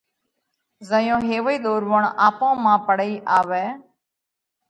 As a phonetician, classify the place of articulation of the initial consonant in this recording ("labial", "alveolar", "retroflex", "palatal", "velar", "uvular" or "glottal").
alveolar